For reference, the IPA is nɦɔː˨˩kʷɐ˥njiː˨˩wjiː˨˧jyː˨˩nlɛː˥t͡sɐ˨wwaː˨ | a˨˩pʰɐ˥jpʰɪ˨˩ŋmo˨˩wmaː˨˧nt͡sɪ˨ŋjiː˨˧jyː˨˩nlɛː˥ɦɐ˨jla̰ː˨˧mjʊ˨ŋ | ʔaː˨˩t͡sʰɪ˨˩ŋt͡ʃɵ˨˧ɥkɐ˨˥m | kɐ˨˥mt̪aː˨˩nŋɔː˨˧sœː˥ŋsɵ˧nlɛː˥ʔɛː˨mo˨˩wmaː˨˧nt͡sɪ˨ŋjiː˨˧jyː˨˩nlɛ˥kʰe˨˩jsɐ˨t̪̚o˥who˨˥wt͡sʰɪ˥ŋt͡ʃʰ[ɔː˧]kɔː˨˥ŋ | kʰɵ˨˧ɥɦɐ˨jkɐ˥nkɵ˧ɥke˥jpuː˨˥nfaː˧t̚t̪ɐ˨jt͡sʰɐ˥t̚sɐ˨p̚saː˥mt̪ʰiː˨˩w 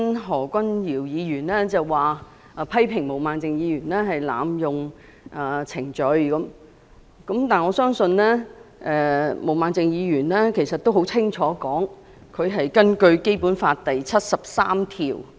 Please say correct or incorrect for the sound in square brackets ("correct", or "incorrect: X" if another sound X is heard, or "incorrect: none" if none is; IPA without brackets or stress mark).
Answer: incorrect: ɔː˨˥